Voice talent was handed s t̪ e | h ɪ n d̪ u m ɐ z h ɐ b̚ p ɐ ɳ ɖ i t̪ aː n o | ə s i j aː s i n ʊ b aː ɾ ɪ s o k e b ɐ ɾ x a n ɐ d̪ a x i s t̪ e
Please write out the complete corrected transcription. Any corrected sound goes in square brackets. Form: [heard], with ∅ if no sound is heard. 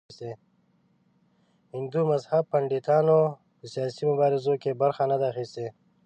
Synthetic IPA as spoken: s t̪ e | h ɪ n d̪ u m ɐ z h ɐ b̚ p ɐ ɳ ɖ i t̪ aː n o | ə s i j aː s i [m] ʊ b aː ɾ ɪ [z] o k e b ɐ ɾ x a n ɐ d̪ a x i s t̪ e